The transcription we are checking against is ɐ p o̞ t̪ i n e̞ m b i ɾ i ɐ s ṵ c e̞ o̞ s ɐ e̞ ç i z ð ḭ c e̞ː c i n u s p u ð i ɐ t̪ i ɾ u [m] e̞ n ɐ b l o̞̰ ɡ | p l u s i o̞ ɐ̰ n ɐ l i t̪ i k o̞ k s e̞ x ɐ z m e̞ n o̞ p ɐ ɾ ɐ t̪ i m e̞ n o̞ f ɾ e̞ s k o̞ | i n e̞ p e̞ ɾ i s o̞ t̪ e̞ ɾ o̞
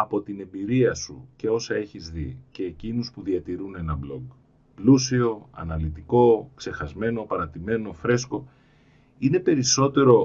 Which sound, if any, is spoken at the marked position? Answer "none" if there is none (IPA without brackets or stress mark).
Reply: n